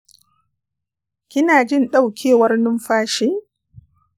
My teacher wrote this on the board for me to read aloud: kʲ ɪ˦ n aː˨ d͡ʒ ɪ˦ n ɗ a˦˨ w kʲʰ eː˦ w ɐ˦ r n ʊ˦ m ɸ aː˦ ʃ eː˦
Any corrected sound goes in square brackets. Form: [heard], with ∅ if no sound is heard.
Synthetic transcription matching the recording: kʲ ɪ˦ n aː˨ d͡ʒ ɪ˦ n ɗ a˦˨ w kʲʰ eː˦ w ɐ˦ r n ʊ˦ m ɸ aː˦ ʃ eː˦

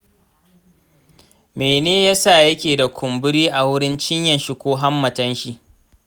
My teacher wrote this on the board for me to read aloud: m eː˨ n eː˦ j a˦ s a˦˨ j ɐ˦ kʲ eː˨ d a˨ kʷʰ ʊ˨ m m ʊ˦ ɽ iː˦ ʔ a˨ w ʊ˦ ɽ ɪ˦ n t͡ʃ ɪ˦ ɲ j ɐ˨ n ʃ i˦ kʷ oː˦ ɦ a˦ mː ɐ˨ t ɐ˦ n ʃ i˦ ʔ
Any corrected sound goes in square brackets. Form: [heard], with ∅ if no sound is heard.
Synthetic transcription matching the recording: m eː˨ n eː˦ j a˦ s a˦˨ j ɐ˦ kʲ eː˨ d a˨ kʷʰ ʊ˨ m [b] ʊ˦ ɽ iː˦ ʔ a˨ w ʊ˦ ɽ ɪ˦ n t͡ʃ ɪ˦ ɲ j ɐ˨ n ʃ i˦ kʷ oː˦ ɦ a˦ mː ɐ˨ t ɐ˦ n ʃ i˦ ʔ

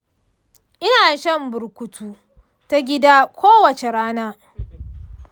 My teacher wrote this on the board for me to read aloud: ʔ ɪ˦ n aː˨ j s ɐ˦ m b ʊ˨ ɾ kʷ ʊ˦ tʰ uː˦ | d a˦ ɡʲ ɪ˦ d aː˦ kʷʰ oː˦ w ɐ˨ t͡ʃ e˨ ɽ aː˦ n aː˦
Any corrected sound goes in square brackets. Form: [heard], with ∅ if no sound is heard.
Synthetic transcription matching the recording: ʔ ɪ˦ n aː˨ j [ʃ] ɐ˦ m b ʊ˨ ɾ kʷ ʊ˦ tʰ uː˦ | [t] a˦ ɡʲ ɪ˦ d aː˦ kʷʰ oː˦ w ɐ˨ t͡ʃ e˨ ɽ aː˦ n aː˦

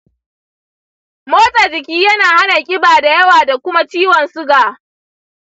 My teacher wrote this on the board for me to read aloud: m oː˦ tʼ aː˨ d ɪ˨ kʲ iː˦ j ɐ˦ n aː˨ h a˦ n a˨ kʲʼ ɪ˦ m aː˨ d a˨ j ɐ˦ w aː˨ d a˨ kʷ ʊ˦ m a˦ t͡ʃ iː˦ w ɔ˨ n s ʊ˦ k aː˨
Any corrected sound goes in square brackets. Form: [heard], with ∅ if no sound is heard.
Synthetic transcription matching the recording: m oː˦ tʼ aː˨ [d͡ʒ] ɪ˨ kʲ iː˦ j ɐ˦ n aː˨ h a˦ n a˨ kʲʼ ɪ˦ [b] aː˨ d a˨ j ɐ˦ w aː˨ d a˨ kʷ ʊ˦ m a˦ t͡ʃ iː˦ w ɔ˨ n s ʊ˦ [ɡ] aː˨

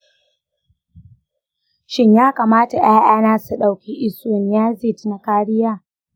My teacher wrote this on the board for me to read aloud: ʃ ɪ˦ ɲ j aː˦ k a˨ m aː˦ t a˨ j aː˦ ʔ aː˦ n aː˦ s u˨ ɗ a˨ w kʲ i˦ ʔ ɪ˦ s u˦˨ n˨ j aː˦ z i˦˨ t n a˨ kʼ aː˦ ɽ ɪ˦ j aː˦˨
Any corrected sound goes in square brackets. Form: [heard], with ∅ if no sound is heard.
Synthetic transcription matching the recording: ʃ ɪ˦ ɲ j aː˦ k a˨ m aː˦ t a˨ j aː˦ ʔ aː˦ n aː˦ s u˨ ɗ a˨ w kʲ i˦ ʔ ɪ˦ s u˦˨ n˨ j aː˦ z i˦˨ t n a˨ [k] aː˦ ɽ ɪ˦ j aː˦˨

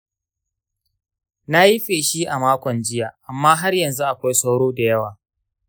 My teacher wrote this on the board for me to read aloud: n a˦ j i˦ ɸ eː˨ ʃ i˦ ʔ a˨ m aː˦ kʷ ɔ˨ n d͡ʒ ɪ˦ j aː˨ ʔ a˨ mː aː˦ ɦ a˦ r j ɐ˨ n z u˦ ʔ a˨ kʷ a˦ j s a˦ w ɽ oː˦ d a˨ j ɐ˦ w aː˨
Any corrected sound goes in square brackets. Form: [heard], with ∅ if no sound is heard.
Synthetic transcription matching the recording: n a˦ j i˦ ɸ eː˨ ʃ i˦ ʔ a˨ m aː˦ kʷ ɔ˨ n d͡ʒ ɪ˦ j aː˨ ʔ a˨ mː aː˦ ɦ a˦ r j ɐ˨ n z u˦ ʔ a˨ kʷ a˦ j s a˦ w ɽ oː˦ d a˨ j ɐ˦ w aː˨

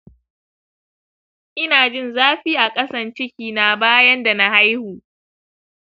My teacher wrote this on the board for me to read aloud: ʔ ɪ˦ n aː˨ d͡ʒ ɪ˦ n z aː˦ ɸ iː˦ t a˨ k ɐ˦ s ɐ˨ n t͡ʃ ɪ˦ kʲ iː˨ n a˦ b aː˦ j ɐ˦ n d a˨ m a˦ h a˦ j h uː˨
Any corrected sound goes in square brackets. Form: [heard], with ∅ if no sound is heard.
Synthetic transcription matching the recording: ʔ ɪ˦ n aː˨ d͡ʒ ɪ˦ n z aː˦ ɸ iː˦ [ʔ] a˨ [kʼ] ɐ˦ s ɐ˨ n t͡ʃ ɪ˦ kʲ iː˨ n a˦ b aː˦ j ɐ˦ n d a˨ [n] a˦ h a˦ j h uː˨

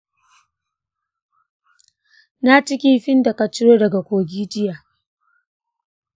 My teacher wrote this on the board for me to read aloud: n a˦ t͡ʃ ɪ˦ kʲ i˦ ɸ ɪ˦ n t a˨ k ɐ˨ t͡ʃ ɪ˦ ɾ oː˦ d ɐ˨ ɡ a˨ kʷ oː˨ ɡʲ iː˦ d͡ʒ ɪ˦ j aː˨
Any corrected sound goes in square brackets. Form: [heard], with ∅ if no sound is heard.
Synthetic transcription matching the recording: n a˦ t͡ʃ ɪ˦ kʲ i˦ ɸ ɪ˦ n [d] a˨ k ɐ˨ t͡ʃ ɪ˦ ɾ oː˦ d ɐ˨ ɡ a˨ kʷ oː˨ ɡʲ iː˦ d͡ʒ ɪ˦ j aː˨

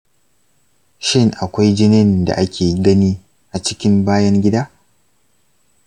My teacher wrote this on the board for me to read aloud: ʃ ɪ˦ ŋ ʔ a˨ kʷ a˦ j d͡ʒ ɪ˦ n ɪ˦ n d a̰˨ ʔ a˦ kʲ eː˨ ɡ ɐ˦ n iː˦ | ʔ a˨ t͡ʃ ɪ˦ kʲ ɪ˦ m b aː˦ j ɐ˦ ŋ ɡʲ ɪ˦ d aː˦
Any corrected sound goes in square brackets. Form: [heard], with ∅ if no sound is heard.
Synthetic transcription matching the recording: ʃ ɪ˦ ŋ ʔ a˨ kʷ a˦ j d͡ʒ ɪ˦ n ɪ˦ n d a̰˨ ʔ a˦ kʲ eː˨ ɡ ɐ˦ n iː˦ | ʔ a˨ t͡ʃ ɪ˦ kʲ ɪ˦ m b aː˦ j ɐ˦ ŋ ɡʲ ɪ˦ d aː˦

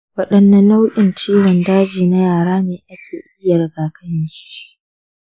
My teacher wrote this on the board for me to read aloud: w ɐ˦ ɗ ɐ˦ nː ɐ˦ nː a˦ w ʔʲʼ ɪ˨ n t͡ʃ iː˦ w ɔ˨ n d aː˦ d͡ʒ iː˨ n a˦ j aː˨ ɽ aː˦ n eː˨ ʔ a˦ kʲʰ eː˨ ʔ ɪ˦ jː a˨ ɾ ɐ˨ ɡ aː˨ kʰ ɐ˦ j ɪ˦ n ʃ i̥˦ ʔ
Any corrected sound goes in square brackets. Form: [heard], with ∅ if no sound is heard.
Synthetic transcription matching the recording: w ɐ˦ ɗ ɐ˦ nː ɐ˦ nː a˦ w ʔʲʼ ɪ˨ n t͡ʃ iː˦ w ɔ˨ n d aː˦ d͡ʒ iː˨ n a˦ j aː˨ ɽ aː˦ n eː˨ ʔ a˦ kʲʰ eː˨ ʔ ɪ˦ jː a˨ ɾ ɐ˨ ɡ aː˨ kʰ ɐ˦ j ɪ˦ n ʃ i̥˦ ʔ

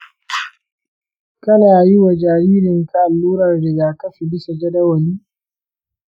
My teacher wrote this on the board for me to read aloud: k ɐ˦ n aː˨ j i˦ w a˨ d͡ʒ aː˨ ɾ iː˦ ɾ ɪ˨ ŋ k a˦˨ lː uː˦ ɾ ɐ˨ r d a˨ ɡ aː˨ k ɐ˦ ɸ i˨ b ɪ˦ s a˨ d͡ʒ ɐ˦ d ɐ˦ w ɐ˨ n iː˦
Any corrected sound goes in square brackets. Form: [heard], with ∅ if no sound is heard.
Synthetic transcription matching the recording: k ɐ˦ n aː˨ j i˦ w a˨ d͡ʒ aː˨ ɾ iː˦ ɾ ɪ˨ ŋ k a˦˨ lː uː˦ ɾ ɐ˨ r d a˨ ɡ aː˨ k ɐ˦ ɸ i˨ b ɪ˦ s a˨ d͡ʒ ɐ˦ d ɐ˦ w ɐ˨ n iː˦

